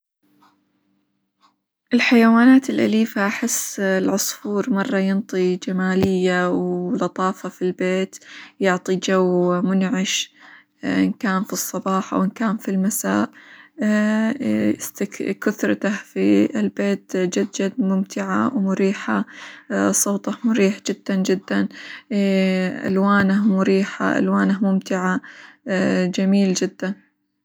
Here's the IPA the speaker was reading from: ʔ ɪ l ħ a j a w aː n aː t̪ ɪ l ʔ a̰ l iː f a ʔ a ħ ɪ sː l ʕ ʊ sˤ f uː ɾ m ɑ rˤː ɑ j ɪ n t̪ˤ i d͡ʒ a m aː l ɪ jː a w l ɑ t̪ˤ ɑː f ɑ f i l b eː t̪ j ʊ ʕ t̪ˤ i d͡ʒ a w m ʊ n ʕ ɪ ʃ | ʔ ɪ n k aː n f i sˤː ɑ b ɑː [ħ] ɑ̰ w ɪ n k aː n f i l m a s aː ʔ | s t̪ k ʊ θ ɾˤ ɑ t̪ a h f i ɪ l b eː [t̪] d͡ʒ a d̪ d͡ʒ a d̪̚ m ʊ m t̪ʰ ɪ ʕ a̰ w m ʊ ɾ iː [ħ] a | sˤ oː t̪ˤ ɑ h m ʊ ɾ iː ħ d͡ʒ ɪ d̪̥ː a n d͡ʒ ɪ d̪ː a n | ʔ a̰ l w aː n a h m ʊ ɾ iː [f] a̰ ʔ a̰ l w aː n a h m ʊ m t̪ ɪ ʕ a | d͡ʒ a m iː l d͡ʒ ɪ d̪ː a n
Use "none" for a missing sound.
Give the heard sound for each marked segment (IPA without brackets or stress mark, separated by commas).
ħ, t̪, ħ, ħ